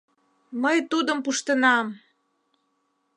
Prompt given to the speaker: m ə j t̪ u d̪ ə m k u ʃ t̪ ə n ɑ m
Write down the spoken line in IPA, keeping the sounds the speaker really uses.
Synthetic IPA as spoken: m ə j t̪ u d̪ ə m p u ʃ t̪ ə n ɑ m